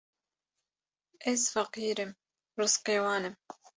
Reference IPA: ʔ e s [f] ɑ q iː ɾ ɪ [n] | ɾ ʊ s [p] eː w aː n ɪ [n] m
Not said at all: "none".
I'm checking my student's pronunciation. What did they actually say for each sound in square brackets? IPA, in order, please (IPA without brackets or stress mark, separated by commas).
f, m, q, none